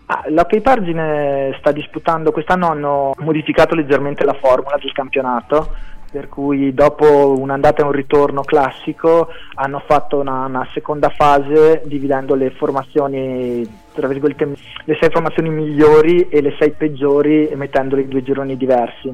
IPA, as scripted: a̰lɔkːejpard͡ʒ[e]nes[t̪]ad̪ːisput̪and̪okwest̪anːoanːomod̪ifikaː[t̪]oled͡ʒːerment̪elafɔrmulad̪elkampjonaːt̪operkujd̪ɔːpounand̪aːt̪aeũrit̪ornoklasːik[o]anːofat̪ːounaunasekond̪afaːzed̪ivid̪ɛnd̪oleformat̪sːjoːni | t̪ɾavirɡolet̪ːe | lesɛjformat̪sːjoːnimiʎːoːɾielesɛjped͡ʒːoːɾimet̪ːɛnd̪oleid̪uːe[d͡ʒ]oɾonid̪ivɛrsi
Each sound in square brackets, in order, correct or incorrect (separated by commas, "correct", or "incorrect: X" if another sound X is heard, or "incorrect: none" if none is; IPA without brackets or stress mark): incorrect: i, correct, correct, correct, correct